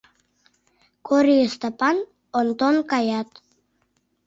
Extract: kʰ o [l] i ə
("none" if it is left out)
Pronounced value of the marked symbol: ɾ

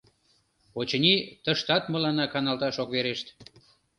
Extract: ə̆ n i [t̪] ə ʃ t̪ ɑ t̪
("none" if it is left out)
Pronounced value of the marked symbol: t̪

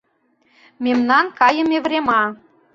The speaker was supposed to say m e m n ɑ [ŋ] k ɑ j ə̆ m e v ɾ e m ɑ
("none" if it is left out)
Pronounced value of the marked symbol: n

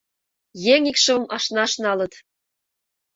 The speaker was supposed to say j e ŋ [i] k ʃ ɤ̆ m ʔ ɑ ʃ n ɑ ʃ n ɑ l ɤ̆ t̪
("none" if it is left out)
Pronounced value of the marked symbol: i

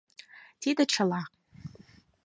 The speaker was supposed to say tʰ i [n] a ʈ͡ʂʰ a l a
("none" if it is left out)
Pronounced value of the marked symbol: d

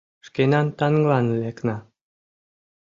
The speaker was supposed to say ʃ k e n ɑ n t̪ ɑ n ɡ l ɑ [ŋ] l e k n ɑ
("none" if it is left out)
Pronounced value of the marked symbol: n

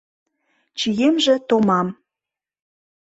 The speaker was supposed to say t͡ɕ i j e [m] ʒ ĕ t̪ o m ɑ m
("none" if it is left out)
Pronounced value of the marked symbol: m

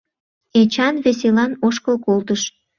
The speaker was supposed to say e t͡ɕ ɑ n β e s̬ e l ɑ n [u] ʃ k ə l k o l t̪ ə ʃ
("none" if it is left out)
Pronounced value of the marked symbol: o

